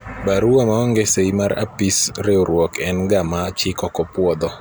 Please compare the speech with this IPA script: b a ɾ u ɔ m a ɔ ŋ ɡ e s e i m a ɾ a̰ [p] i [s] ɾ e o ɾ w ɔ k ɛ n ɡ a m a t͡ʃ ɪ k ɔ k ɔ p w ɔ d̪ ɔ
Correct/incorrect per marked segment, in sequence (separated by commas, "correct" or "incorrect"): correct, correct